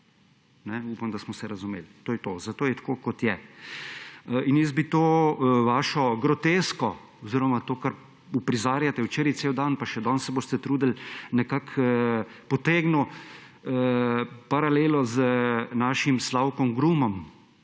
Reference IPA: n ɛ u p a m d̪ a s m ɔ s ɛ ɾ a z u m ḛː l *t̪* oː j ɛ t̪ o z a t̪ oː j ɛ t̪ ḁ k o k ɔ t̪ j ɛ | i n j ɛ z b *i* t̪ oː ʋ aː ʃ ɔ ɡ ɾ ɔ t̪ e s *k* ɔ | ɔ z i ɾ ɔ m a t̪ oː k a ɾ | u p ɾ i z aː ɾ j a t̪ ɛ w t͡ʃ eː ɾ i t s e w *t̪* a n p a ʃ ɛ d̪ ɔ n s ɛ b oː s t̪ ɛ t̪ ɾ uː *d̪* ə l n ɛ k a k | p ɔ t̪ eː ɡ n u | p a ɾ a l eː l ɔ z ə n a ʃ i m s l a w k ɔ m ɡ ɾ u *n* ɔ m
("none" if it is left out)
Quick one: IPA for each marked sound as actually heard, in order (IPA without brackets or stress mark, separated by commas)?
t̪, i, k, d̪, d̪, m